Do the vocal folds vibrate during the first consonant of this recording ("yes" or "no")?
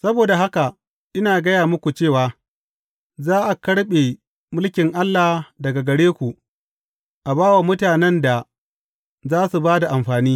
no